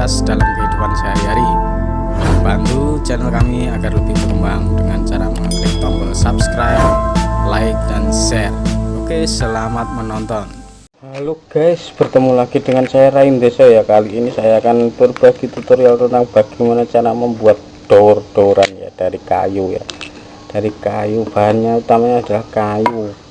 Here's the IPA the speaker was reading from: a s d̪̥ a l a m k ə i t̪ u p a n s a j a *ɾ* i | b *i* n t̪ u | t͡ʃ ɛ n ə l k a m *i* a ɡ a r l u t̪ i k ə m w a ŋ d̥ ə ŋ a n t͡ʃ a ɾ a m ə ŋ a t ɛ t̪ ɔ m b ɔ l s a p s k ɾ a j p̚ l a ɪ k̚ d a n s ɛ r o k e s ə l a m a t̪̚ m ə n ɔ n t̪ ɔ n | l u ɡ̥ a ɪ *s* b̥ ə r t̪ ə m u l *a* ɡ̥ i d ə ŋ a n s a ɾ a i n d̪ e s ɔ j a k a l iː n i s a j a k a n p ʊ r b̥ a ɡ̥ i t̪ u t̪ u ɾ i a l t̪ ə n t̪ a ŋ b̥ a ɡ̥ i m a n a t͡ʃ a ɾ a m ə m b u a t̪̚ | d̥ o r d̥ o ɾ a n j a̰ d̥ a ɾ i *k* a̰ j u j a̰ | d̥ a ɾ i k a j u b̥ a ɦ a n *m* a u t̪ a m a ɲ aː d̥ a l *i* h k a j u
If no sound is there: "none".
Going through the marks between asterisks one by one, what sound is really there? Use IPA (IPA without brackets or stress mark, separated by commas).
ɾ, a, i, s, a, k, ɲ, a